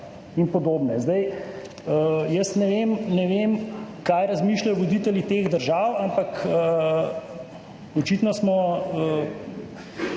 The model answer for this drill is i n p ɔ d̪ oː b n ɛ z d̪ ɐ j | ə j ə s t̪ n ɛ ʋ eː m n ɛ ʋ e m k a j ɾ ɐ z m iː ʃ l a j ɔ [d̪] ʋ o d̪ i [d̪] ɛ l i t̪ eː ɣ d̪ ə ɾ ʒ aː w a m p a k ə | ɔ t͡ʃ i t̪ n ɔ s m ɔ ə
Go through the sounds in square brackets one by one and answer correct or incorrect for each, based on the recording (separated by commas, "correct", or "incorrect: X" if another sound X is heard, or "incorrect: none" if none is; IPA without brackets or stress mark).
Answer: incorrect: none, incorrect: t̪